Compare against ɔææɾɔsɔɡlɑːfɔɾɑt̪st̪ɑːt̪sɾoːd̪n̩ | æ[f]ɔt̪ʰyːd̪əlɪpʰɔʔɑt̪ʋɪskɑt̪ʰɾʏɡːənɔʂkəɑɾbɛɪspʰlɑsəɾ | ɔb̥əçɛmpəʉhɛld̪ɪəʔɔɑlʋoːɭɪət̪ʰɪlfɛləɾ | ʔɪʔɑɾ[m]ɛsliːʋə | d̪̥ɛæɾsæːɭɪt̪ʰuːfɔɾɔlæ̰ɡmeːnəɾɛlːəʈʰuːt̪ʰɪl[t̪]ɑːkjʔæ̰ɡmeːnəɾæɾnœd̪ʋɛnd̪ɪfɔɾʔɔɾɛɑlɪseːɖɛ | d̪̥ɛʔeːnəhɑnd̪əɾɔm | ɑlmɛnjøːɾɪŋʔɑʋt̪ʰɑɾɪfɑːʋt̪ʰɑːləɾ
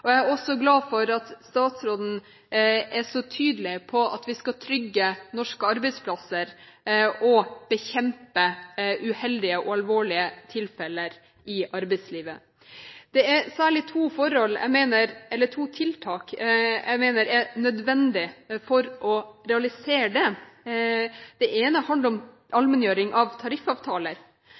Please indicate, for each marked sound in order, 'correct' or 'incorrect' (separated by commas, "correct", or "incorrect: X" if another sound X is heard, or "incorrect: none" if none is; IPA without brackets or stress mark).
incorrect: ʂ, incorrect: b, incorrect: t̪ʰ